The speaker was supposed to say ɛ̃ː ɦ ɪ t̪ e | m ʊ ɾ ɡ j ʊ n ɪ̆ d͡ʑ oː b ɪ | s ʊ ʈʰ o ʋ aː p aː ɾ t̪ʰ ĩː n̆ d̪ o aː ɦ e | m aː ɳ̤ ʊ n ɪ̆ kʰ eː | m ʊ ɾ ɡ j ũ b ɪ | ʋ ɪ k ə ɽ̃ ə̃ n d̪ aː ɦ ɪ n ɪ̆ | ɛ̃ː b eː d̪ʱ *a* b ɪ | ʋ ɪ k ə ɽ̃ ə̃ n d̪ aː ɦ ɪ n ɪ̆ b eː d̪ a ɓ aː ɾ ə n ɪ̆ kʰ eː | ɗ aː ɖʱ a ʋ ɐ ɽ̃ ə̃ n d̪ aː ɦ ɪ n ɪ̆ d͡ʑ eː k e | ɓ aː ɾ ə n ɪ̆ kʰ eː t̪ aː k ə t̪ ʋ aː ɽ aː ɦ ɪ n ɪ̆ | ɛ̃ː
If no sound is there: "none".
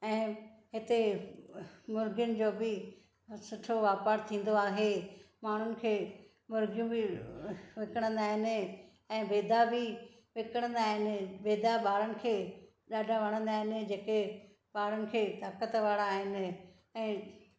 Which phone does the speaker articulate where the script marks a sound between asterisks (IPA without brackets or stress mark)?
a